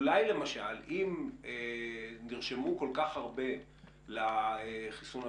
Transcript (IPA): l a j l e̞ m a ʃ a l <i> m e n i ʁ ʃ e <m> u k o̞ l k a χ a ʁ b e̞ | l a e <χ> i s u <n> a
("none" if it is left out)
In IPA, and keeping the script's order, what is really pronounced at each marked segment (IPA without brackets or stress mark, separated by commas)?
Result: i, m, χ, n